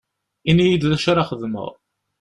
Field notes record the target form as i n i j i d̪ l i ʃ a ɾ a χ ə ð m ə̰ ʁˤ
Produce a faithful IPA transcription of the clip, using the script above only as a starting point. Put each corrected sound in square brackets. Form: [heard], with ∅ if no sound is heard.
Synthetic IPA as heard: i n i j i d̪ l [æ] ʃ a ɾ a χ ə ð m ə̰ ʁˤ